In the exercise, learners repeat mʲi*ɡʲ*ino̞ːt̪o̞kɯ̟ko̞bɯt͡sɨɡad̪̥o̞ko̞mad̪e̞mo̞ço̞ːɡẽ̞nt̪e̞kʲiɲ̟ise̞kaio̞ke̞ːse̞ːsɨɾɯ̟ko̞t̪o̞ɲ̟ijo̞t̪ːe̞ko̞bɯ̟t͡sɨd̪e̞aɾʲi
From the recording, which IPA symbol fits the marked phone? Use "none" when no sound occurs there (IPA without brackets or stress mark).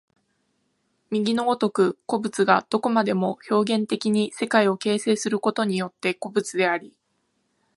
ɡʲ